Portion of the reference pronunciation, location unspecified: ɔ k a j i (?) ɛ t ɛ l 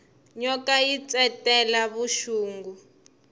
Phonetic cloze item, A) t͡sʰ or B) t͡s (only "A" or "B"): B